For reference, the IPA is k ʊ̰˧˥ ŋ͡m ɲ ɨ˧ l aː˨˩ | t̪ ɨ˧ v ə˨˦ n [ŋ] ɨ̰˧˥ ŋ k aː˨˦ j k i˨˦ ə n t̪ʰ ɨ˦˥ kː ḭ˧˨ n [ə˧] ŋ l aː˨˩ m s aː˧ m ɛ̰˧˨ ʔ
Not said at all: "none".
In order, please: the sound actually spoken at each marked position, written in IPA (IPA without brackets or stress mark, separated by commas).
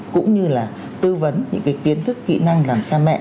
ɲ, a˧